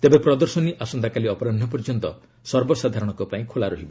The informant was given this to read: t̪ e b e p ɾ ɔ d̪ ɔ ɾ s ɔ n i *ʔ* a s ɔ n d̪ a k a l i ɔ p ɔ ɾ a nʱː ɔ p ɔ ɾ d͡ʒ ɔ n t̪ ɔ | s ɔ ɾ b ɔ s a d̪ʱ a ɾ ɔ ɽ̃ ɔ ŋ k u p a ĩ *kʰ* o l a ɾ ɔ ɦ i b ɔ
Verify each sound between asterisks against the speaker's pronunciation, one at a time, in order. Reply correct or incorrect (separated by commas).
correct, correct